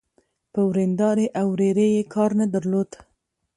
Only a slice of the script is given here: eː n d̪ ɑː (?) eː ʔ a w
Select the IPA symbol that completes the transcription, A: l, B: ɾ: B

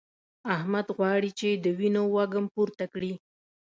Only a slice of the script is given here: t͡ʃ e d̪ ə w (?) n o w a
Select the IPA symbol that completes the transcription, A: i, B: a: A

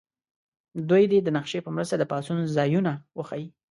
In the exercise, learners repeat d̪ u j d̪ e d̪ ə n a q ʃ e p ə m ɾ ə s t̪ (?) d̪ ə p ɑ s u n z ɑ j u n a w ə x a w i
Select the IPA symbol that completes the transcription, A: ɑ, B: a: B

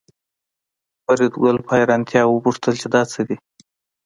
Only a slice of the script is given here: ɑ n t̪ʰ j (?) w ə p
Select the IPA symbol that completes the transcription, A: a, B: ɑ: B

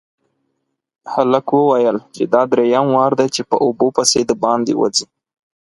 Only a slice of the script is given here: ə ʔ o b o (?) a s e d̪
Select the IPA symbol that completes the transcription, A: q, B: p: B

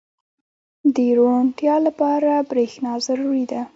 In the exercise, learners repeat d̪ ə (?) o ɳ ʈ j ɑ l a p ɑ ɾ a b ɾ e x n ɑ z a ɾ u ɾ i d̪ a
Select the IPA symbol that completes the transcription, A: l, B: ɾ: B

